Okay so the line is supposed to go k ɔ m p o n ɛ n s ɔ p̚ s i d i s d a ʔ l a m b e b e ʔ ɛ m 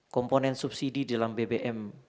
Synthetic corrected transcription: k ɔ m p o n ɛ n s u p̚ s i d i d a l a m b e b e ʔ ɛ m